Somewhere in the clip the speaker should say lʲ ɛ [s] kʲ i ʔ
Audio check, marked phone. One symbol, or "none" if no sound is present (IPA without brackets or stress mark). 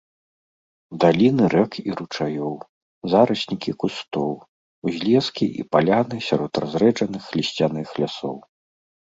s